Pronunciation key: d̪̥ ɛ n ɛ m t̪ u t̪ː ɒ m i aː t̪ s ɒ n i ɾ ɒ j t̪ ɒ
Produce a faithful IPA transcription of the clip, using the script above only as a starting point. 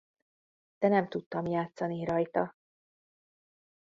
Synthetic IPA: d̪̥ ɛ n ɛ m t̪ u t̪ː ɒ m j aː t̪ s ɒ n i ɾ ɒ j t̪ ɒ